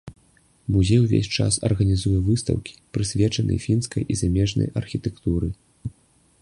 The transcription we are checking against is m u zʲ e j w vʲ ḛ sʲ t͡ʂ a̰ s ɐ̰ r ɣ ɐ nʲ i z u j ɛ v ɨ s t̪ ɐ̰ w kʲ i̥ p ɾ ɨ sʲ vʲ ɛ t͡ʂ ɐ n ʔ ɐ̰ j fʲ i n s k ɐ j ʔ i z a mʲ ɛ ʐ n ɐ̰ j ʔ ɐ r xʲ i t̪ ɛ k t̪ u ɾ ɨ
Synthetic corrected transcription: m u zʲ e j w vʲ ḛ sʲ t͡ʂ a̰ s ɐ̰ r ɣ ɐ nʲ i z u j ɛ v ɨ s t̪ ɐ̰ w kʲ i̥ p ɾ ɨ sʲ vʲ ɛ t͡ʂ ɐ n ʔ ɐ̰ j fʲ i n s k ɐ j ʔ i z a mʲ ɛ ʐ n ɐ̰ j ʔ ɐ r xʲ i t̪ ɛ k t̪ u ɾ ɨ

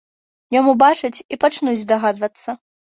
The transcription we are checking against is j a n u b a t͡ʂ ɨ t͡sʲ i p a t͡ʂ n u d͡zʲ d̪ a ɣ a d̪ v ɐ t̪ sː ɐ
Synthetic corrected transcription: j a m u b a t͡ʂ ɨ t͡sʲ i p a t͡ʂ n u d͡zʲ d̪ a ɣ a d̪ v ɐ t̪ sː ɐ

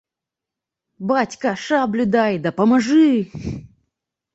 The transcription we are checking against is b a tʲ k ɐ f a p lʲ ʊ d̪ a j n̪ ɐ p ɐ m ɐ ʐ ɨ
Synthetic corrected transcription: b a tʲ k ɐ ʂ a b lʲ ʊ d̪ a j d̪ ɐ p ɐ m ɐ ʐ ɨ

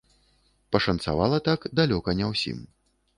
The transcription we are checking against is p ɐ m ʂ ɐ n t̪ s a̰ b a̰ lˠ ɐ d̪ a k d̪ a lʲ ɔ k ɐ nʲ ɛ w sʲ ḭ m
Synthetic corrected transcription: p ɐ ʂ ɐ n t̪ s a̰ v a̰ lˠ ɐ t̪ a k d̪ a lʲ ɔ k ɐ nʲ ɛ w sʲ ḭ m

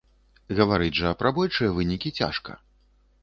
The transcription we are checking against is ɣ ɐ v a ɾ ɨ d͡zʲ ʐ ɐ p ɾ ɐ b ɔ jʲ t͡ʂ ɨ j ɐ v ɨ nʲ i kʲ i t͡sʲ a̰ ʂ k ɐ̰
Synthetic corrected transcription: ɣ ɐ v a ɾ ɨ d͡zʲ ʐ ɐ p ɾ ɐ b ɔ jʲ t͡ʂ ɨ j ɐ v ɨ nʲ i kʲ i t͡sʲ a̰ ʂ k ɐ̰

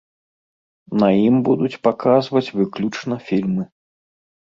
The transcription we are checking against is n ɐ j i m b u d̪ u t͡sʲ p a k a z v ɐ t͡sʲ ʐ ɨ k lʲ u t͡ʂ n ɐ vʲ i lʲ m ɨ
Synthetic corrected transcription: n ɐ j i m b u d̪ u t͡sʲ p a k a z v ɐ t͡sʲ v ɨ k lʲ u t͡ʂ n ɐ fʲ i lʲ m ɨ

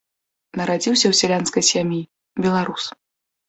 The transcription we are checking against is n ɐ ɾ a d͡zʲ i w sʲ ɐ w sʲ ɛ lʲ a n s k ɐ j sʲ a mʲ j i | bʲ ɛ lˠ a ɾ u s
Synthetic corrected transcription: n ɐ ɾ a d͡zʲ i w sʲ ɐ w sʲ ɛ lʲ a n s k ɐ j sʲ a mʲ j i | bʲ ɛ lˠ a ɾ u s

